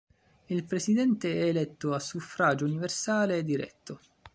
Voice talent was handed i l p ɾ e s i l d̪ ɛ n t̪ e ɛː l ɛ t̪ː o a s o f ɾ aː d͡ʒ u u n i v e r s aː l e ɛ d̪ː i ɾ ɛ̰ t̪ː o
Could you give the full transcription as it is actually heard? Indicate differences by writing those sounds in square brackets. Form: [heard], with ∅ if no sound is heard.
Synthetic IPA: i l p ɾ e s i [∅] d̪ ɛ n t̪ e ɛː l ɛ t̪ː o a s [u] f ɾ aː d͡ʒ [o] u n i v e r s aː l e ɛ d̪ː i ɾ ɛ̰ t̪ː o